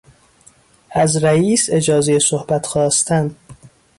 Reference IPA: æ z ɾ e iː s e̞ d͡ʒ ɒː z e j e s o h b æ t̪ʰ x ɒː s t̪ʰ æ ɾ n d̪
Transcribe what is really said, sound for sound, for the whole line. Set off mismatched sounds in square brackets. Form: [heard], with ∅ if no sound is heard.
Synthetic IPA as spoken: æ z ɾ [æ] iː s e̞ d͡ʒ ɒː z e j e s o h b æ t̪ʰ x ɒː s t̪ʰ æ [∅] n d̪